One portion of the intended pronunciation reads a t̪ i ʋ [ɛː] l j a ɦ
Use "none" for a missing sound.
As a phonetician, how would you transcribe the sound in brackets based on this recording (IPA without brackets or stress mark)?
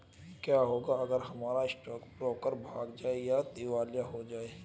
aː